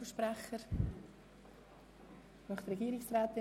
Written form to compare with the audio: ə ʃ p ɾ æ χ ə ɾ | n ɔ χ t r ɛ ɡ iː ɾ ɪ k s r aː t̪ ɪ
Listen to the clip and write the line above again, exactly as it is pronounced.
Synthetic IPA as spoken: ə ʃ p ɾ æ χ ə ɾ | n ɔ χ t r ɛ ɡ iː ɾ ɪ k s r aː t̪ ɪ